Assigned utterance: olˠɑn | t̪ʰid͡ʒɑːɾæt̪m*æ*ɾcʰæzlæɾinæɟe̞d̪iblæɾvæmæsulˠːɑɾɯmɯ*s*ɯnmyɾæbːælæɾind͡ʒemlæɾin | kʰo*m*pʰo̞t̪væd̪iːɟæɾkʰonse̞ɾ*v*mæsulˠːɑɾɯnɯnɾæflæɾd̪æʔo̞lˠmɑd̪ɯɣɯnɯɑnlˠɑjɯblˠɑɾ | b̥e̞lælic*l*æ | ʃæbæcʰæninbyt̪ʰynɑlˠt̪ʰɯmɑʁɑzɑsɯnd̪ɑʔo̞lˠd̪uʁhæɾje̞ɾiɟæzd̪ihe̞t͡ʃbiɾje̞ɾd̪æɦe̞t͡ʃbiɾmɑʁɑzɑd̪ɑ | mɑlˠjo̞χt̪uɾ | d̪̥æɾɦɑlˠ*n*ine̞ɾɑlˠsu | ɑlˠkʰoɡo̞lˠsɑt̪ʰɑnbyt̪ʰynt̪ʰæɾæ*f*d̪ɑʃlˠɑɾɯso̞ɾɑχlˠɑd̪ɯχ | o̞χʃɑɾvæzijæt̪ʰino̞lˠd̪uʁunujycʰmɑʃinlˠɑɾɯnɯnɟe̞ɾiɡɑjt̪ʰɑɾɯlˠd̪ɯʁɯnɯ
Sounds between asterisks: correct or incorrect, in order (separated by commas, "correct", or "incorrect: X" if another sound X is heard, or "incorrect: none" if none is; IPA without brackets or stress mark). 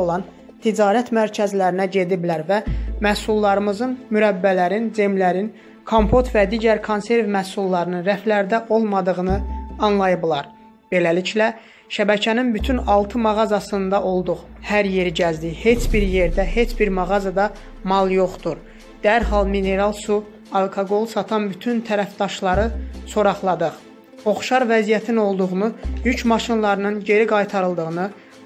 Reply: correct, incorrect: z, correct, correct, correct, incorrect: m, correct